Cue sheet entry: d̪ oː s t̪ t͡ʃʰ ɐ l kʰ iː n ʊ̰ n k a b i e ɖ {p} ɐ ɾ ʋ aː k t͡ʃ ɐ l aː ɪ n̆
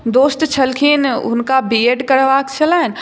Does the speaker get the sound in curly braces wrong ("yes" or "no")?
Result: yes